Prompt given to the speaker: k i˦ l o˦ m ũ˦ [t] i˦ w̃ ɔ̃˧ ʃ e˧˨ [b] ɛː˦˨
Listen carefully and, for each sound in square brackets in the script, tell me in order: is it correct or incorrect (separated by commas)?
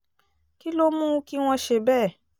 incorrect, correct